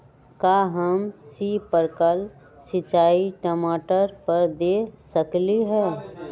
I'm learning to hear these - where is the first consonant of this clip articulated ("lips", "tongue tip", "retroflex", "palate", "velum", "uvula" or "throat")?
velum